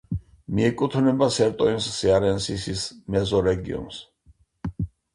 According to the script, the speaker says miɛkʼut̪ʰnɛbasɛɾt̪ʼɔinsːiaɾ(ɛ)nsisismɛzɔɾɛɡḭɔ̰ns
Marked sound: correct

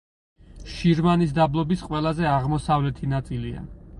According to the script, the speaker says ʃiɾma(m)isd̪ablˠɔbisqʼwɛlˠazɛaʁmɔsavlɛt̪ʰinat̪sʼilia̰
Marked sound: incorrect: n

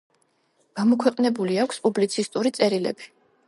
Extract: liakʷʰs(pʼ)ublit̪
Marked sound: correct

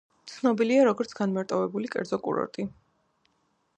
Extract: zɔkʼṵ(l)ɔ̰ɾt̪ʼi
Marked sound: incorrect: ɾ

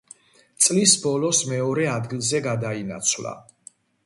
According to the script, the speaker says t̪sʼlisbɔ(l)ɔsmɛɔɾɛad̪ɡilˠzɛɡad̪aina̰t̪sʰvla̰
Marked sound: correct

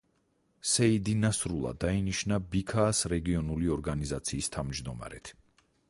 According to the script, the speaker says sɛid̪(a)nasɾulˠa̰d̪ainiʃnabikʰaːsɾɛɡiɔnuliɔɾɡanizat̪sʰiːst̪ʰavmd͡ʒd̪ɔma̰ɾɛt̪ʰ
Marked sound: incorrect: i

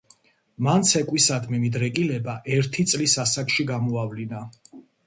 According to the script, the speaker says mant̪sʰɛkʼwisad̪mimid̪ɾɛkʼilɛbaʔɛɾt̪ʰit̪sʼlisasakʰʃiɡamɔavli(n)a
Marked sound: correct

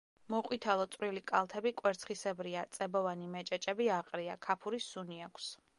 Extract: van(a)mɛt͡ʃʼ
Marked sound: incorrect: i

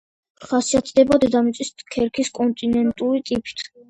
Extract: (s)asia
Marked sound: incorrect: χ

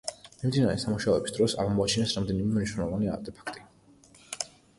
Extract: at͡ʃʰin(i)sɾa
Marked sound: incorrect: ɛ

